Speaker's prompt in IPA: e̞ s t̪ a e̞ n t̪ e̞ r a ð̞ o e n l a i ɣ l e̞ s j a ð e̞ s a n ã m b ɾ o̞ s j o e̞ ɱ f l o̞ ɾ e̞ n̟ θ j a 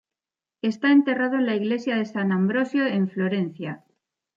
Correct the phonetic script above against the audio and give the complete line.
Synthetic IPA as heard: e̞ s t̪ a e̞ n t̪ e̞ r a ð̞ o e n l a i ɣ l e̞ s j a ð e̞ s a n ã m b ɾ o̞ s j o e̞ ɱ f l o̞ ɾ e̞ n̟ θ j a